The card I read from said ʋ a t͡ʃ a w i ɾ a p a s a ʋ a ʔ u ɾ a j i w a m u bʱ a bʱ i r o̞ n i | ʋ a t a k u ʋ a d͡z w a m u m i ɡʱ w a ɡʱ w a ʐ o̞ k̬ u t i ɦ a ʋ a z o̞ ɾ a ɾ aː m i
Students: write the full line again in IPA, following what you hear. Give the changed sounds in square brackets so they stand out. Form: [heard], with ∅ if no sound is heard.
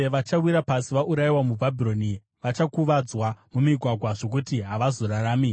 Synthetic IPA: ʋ a t͡ʃ a w i ɾ a p a s [i] ʋ a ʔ u ɾ a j i w a m u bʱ a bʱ i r o̞ n i | ʋ a [t͡ʃ] a k u ʋ a d͡z w a m u m i ɡʱ w a ɡʱ w a ʐ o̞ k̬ u t i ɦ a ʋ a z o̞ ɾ a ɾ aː m i